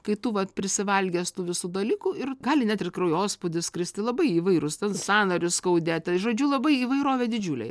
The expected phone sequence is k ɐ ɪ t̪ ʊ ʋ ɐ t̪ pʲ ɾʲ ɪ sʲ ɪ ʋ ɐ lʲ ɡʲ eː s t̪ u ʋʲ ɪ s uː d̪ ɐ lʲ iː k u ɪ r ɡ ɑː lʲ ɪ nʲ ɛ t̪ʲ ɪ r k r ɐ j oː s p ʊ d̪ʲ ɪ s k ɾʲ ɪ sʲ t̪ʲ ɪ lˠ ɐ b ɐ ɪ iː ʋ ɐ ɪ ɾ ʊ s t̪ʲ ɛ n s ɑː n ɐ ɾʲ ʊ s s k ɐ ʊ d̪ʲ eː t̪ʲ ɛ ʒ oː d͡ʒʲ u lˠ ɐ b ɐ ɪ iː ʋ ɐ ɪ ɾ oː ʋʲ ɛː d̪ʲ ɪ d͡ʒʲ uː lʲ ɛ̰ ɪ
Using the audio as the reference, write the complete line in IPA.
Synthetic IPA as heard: k ɐ ɪ t̪ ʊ ʋ ɐ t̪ pʲ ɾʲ ɪ sʲ ɪ ʋ ɐ lʲ ɡʲ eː s t̪ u ʋʲ ɪ s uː d̪ ɐ lʲ iː k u ɪ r ɡ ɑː lʲ ɪ nʲ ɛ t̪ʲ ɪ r k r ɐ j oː s p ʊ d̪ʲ ɪ s k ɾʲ ɪ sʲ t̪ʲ ɪ lˠ ɐ b ɐ ɪ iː ʋ ɐ ɪ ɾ ʊ s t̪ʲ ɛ n s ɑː n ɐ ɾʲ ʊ s s k ɐ ʊ d̪ʲ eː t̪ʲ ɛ ʒ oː d͡ʒʲ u lˠ ɐ b ɐ ɪ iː ʋ ɐ ɪ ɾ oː ʋʲ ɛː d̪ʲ ɪ d͡ʒʲ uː lʲ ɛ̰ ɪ